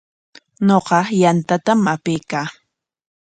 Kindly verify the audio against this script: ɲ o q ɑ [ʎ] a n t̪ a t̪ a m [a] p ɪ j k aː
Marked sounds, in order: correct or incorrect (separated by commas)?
incorrect, correct